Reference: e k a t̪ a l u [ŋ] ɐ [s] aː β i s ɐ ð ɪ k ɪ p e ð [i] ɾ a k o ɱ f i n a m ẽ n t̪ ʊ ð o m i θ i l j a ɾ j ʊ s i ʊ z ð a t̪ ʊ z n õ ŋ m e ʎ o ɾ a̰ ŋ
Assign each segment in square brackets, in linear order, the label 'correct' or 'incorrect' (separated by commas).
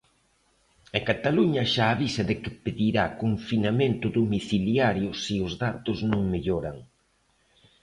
incorrect, incorrect, correct